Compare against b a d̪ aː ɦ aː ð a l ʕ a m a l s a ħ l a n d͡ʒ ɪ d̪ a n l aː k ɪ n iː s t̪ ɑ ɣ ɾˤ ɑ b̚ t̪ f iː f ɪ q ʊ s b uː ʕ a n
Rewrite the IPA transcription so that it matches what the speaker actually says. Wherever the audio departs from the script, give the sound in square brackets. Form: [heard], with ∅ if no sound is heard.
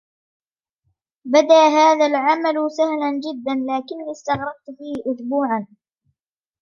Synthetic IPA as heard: b a d̪ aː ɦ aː ð a l ʕ a m a l s a [h] l a n d͡ʒ ɪ [d̪ː] a n l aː k ɪ [nː] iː s t̪ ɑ ɣ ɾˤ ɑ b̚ t̪ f iː [h] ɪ [ʔ] ʊ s b uː ʕ a n